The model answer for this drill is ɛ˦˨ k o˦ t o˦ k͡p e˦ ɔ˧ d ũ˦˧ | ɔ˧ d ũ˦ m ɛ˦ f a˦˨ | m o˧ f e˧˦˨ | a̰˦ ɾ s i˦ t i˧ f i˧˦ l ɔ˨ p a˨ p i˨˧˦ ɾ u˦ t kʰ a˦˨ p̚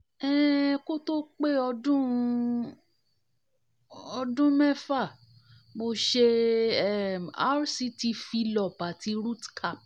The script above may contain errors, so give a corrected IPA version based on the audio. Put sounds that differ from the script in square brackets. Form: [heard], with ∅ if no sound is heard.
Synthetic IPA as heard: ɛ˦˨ k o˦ t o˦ k͡p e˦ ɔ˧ d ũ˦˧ | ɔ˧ d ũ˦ m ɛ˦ f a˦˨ | m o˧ [ʃ] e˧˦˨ | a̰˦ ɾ s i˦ t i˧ f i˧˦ l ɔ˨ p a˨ [t] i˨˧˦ ɾ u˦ t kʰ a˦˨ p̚